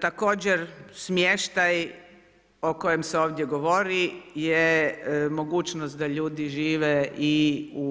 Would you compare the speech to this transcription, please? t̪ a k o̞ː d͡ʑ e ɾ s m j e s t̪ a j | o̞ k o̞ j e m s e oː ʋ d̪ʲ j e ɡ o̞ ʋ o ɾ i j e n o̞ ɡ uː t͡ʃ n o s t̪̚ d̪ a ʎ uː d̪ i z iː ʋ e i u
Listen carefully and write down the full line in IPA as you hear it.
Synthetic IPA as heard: t̪ a k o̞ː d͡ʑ e ɾ s m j e ʃ t̪ a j | o̞ k o̞ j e m s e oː ʋ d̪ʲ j e ɡ o̞ ʋ o ɾ i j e m o̞ ɡ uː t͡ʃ n o s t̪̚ d̪ a ʎ uː d̪ i ʒ iː ʋ e i u